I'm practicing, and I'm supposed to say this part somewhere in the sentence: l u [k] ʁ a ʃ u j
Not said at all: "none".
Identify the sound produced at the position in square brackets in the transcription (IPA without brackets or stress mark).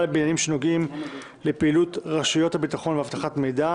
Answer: t